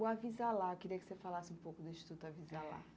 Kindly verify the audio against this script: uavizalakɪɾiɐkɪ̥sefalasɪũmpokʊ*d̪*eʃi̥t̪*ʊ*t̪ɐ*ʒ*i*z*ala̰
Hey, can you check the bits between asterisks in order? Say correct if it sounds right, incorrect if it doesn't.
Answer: correct, incorrect, incorrect, correct

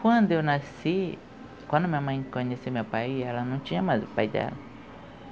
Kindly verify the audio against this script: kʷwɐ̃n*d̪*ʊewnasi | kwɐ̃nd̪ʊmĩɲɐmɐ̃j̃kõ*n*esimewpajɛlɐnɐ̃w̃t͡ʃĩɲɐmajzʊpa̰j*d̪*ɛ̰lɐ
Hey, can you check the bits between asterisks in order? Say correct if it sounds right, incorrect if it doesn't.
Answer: correct, incorrect, correct

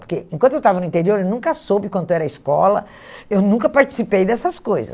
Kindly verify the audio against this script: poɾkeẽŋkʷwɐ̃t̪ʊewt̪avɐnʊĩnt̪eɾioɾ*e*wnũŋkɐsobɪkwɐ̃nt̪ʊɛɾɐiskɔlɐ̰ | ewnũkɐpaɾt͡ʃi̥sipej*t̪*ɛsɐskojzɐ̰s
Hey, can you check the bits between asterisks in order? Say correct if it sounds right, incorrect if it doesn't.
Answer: correct, incorrect

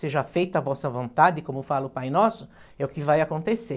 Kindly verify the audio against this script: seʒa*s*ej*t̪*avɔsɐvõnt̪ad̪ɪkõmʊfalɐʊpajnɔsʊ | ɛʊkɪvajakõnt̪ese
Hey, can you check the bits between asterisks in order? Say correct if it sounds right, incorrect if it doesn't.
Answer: incorrect, correct

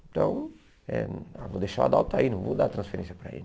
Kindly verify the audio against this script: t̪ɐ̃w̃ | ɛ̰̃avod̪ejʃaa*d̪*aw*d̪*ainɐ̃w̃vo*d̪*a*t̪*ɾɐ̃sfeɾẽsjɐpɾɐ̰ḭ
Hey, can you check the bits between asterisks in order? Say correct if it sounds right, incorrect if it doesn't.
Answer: correct, incorrect, correct, correct

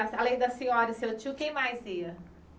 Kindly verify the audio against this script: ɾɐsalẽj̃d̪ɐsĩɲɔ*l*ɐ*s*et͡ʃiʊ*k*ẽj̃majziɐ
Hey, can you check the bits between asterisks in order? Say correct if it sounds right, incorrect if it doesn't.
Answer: incorrect, correct, correct

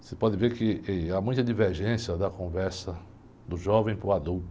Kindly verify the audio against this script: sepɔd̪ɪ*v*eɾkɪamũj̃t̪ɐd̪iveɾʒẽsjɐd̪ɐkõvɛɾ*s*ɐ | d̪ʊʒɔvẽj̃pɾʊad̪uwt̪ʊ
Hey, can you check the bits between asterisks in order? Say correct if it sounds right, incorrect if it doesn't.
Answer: correct, correct

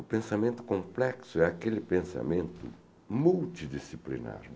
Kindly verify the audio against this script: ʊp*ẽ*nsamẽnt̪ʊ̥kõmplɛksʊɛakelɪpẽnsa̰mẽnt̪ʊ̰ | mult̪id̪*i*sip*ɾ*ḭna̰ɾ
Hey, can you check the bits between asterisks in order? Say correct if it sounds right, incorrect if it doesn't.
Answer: correct, correct, incorrect

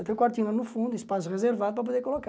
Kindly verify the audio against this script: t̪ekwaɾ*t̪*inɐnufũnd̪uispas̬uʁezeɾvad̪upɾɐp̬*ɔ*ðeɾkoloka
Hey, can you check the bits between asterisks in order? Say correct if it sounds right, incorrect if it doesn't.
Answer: correct, incorrect

